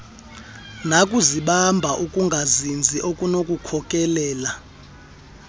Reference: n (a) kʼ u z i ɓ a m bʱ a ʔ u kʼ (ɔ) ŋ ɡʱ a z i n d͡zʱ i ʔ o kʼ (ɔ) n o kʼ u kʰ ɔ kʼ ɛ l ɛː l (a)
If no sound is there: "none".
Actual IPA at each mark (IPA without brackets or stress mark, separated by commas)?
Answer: a, u, u, a